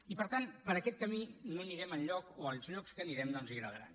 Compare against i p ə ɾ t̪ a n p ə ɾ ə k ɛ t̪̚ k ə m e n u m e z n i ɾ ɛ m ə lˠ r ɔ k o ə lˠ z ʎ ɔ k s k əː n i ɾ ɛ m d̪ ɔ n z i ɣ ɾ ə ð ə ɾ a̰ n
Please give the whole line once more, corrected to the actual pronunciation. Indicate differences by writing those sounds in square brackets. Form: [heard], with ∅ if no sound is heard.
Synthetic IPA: i p ə ɾ t̪ a n p ə ɾ ə k ɛ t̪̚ k ə m [i] n u m e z n i ɾ ɛ m ə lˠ [ʎ] ɔ k o ə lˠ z ʎ ɔ k s k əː n i ɾ ɛ m d̪ ɔ n z i ɣ ɾ ə ð ə ɾ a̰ n